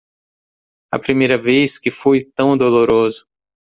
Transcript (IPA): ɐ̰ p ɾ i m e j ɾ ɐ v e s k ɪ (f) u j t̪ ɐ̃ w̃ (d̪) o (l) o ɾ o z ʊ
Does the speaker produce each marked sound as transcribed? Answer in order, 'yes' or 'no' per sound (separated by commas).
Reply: yes, yes, yes